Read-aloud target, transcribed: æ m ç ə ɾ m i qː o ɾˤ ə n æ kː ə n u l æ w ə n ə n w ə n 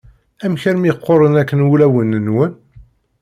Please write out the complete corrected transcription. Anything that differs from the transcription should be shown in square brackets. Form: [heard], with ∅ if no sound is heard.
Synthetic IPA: æ m ç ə ɾ m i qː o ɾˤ ə n æ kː ə n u l æ w ə n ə n w ə n